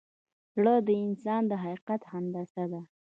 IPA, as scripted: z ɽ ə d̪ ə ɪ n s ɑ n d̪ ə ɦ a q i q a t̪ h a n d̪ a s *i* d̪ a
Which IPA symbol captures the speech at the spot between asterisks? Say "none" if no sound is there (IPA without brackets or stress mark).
a